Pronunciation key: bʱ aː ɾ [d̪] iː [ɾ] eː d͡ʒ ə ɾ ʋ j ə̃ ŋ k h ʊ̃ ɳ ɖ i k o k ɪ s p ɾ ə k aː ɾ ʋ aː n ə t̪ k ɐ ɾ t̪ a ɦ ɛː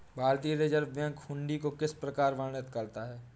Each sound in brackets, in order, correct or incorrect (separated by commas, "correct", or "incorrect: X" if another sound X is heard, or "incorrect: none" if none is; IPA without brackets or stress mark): incorrect: t̪, correct